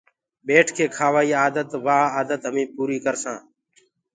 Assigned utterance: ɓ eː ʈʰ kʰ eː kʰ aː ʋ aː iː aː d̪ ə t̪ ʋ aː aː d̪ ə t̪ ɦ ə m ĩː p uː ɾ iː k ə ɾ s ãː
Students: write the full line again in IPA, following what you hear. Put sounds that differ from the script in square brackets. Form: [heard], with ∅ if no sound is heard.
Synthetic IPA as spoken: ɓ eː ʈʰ kʰ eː kʰ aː ʋ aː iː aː d̪ ə t̪ ʋ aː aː d̪ ə t̪ ɦ ə m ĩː p uː ɾ iː k ə ɾ s ãː